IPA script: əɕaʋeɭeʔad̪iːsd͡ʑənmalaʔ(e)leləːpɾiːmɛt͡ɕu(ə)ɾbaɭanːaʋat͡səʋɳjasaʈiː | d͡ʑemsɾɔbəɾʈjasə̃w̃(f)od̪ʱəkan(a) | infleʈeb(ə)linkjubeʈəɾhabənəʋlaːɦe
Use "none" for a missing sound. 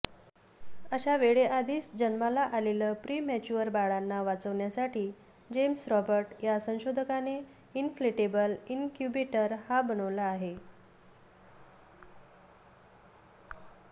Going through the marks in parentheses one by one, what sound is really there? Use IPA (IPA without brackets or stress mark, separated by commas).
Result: a, ə, ɕ, e, ə